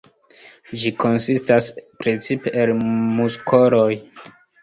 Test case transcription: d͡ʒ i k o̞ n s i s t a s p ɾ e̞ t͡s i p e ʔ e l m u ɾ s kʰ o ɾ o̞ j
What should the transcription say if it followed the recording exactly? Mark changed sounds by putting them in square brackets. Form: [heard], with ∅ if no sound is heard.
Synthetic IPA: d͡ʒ i k o̞ n s i s t a s p ɾ e̞ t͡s i p e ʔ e l m u [∅] s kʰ o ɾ o̞ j